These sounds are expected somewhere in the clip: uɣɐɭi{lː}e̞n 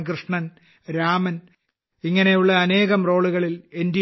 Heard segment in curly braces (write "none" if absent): l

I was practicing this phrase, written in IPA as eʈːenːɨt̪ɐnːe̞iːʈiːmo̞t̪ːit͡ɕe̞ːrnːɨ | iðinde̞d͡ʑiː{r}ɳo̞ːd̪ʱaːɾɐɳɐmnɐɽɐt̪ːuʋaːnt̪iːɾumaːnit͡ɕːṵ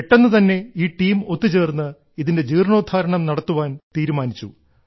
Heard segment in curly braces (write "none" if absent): r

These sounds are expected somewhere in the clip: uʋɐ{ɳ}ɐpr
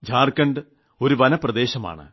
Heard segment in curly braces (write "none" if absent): n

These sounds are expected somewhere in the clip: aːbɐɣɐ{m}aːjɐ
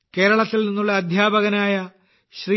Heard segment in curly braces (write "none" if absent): n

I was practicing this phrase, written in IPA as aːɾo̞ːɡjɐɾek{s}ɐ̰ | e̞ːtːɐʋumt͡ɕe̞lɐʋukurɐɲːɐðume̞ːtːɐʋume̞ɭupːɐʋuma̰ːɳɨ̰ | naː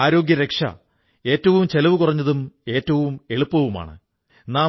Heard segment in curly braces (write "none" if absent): ʂ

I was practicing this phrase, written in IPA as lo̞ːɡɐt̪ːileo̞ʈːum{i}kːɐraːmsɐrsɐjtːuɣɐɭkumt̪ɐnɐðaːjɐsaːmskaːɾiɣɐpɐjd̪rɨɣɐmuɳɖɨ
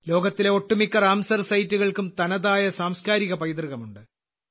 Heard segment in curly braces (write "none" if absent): i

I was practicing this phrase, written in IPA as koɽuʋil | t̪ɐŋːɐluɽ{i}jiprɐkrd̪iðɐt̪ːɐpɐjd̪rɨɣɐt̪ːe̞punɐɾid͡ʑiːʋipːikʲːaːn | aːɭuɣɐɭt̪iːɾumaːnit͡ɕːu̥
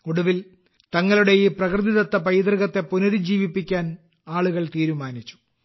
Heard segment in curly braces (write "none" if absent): e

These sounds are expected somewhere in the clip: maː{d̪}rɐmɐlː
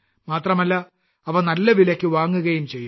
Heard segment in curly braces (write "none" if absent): t̪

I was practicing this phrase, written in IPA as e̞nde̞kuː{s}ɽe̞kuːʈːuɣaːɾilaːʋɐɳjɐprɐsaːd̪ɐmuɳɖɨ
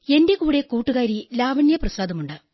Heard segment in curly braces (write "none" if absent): none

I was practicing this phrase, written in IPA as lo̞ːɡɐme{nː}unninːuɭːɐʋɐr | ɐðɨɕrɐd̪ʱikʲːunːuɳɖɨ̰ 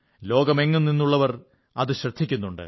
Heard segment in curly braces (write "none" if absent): ŋː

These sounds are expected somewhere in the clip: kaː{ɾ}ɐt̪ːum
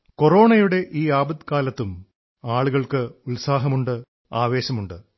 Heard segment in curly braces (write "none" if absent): l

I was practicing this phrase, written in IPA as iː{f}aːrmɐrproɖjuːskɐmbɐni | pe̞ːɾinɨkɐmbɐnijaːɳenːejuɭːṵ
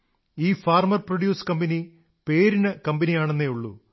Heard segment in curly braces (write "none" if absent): f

